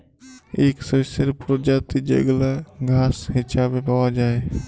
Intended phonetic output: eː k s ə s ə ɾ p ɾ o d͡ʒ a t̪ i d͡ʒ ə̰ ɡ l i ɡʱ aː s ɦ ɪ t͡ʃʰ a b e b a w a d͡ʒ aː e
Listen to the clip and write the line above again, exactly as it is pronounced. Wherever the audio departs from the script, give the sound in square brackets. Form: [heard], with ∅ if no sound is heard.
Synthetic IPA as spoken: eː k s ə s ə ɾ p ɾ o d͡ʒ a t̪ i d͡ʒ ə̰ ɡ l [a] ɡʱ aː s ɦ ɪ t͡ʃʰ a b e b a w a d͡ʒ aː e